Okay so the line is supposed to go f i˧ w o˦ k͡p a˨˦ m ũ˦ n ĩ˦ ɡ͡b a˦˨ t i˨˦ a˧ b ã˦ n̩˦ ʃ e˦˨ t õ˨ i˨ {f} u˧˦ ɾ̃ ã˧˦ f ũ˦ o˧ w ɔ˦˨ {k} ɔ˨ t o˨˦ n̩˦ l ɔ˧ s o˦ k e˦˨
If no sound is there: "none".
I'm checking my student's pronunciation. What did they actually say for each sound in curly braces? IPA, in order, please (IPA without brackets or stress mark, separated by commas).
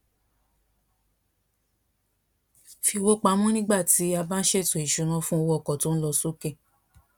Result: ʃ, k